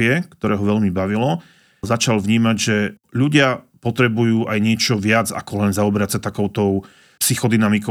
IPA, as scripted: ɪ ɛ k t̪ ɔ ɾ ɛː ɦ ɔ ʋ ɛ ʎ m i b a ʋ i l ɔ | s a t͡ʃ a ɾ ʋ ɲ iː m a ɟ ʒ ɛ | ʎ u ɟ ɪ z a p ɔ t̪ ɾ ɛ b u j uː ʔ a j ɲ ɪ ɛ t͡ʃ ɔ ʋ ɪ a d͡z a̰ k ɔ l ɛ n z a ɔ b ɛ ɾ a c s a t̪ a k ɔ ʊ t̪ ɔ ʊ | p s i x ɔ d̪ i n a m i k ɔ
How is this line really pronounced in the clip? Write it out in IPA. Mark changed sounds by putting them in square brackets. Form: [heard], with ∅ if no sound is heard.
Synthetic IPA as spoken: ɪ ɛ k t̪ ɔ ɾ ɛː ɦ ɔ ʋ ɛ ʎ m i b a ʋ i l ɔ | [z] a t͡ʃ a [l] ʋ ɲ iː m a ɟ ʒ ɛ | ʎ u ɟ ɪ [∅] a p ɔ t̪ ɾ ɛ b u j uː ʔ a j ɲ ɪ ɛ t͡ʃ ɔ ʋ ɪ a d͡z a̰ k ɔ l ɛ n z a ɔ b ɛ ɾ a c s a t̪ a k ɔ ʊ t̪ ɔ ʊ | p s i x ɔ d̪ i n a m i k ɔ